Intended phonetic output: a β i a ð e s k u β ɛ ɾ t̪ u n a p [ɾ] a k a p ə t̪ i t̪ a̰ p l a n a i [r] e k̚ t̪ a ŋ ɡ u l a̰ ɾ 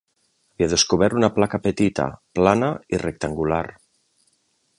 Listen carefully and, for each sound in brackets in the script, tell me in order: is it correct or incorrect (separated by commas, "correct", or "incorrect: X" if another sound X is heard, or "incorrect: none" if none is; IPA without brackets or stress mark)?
incorrect: l, correct